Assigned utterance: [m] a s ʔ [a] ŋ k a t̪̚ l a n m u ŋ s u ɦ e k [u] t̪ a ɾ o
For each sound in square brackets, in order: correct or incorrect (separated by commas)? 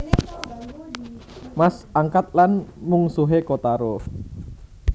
correct, correct, incorrect